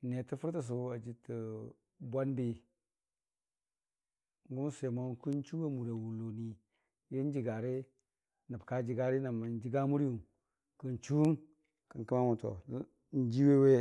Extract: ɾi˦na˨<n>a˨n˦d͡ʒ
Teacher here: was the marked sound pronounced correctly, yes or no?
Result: no